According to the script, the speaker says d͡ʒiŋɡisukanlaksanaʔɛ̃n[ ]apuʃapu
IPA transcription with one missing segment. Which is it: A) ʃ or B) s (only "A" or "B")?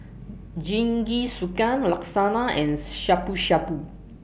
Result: A